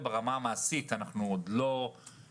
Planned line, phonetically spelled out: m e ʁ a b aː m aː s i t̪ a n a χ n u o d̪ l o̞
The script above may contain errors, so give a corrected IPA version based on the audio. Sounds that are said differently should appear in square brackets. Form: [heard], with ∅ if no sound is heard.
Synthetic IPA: [b] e ʁ a [m] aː m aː s i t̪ a n a χ n u o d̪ l o̞

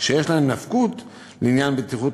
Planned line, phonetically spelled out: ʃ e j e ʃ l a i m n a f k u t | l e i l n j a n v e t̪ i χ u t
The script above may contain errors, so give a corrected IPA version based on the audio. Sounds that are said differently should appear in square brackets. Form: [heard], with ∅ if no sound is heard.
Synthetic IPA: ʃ e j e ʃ l a [e] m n a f k u t | l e i [∅] n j a n [b] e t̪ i χ u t

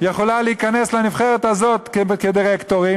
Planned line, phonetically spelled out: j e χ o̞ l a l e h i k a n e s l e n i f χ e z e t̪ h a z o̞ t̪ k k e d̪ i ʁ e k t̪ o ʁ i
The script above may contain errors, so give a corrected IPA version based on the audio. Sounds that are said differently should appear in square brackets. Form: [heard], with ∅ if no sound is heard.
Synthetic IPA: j e χ o̞ l a l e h i k a n e s l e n i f χ e [ʁ] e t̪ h a z o̞ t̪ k k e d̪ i ʁ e k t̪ o ʁ i

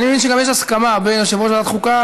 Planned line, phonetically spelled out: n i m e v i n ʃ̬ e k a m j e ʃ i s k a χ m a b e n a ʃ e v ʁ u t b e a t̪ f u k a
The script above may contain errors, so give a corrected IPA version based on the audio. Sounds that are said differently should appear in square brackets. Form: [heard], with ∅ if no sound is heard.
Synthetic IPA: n i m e v i n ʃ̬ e [ɡ] a m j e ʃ [a] s k a [∅] m a b e n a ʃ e v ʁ [o] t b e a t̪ [χ] u k a

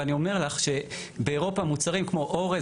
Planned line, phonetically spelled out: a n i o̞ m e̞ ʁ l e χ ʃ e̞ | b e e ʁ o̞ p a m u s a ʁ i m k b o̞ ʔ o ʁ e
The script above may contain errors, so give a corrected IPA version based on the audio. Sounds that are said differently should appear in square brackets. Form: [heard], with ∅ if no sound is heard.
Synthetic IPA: a n i o̞ m e̞ ʁ l [a] χ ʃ e̞ | b e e ʁ o̞ p a m u [t͡s] a ʁ i m k [m] o̞ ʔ o ʁ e

